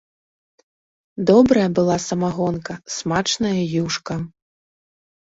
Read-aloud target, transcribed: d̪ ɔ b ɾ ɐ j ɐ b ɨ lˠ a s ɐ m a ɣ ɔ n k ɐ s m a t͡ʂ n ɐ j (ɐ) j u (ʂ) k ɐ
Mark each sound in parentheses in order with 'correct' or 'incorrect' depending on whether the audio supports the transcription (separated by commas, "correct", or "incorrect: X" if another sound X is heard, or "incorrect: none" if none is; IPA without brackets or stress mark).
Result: correct, correct